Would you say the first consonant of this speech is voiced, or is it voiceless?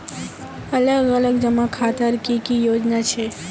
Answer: voiced